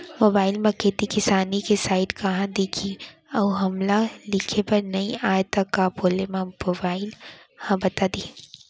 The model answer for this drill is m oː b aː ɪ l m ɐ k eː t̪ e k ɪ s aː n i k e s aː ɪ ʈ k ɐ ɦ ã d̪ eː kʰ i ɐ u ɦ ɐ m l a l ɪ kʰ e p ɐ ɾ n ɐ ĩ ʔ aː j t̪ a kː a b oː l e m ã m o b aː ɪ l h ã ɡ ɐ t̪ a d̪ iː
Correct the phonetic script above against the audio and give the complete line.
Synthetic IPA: m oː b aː ɪ l m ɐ k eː t̪ i k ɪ s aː n i k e s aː ɪ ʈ k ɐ ɦ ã d̪ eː kʰ i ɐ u ɦ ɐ m l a l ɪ kʰ e p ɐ ɾ n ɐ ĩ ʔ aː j t̪ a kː a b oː l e m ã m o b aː ɪ l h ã b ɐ t̪ a d̪ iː